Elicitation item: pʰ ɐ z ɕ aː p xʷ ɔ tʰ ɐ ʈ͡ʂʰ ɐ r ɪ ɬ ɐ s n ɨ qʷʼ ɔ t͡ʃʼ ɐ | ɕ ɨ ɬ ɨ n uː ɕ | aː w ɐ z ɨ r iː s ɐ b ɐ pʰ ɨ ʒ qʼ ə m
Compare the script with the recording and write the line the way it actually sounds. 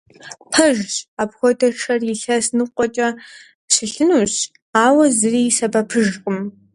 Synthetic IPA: pʰ ɐ ʒ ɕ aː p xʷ ɔ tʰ ɐ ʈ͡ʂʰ ɐ r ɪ ɬ ɐ s n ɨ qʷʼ ɔ t͡ʃʼ ɐ | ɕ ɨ ɬ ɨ n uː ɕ | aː w ɐ z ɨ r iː s ɐ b ɐ pʰ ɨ ʒ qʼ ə m

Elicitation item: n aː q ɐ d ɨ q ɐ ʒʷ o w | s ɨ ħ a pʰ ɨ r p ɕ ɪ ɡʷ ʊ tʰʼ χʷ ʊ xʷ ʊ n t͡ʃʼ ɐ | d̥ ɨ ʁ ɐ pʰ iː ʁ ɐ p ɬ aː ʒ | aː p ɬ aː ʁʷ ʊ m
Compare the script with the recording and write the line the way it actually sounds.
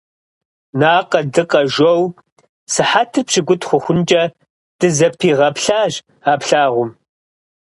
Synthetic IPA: n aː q ɐ d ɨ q ɐ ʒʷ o w | s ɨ ħ a tʰ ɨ r p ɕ ɪ ɡʷ ʊ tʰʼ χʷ ʊ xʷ ʊ n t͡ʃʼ ɐ | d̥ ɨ z ɐ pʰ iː ʁ ɐ p ɬ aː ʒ | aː p ɬ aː ʁʷ ʊ m

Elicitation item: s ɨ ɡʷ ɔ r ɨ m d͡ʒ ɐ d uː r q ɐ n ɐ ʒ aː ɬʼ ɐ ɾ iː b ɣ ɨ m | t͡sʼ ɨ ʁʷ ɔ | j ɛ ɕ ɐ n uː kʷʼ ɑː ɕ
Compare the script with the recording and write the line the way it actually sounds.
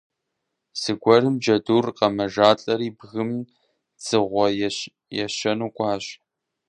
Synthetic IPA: s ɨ ɡʷ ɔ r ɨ m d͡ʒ ɐ d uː r q ɐ m ɐ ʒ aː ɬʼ ɐ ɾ iː b ɣ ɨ m | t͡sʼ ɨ ʁʷ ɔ | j ɛ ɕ ɐ n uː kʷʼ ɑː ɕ

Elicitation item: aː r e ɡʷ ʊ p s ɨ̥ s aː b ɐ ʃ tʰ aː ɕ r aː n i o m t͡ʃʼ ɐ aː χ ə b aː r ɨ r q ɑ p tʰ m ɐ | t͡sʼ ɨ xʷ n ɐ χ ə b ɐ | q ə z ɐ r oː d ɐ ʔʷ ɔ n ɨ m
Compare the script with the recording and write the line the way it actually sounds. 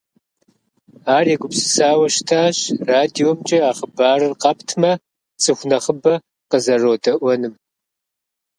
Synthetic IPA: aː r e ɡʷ ʊ p s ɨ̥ s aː w ɐ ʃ tʰ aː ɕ r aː d i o m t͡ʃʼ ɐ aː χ ə b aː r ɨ r q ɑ p tʰ m ɐ | t͡sʼ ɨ xʷ n ɐ χ ə b ɐ | q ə z ɐ r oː d ɐ ʔʷ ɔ n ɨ m

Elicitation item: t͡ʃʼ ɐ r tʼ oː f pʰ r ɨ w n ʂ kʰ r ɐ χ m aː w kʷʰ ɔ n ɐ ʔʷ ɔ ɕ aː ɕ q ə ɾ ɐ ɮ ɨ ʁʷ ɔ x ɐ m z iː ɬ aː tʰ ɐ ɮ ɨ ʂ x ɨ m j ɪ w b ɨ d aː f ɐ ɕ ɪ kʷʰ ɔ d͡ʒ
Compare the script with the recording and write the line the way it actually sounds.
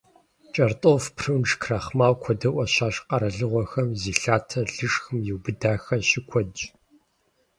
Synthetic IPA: t͡ʃʼ ɐ r tʼ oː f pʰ r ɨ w n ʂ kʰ r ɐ χ m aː w kʷʰ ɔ d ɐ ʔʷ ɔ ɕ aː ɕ q ɐ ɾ ɐ ɮ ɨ ʁʷ ɔ x ɐ m z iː ɬ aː tʰ ɐ ɮ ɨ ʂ x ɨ m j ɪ w b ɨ d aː x ɐ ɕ ɪ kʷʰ ɔ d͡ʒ

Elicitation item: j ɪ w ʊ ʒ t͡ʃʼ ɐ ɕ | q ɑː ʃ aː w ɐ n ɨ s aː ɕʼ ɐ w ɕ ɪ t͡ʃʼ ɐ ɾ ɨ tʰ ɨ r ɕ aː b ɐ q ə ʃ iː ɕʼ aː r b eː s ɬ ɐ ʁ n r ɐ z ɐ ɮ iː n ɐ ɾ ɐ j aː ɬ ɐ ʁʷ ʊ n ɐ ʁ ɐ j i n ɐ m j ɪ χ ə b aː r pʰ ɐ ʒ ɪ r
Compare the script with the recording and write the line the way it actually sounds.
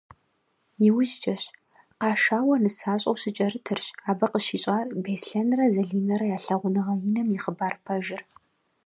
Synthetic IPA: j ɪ w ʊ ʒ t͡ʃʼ ɐ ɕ | q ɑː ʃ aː w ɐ n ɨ s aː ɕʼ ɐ w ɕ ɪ t͡ʃʼ ɐ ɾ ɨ tʰ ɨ r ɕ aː b ɐ q ə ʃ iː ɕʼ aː r b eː s ɬ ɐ n r ɐ z ɐ ɮ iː n ɐ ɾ ɐ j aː ɬ ɐ ʁʷ ʊ n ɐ ʁ ɐ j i n ɐ m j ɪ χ ə b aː r pʰ ɐ ʒ ɪ r

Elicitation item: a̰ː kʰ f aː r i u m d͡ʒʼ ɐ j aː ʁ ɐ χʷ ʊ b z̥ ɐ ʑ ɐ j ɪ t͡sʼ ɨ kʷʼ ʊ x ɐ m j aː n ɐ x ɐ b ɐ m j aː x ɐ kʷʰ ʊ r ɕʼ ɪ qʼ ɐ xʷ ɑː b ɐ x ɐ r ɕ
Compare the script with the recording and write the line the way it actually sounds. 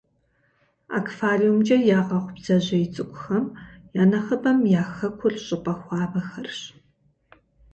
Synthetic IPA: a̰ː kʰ f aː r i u m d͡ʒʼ ɐ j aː ʁ ɐ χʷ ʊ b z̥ ɐ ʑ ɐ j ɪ t͡sʼ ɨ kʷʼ ʊ x ɐ m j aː n ɐ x ɐ b ɐ m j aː x ɐ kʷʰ ʊ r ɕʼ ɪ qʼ ɐ xʷ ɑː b ɐ x ɐ r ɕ

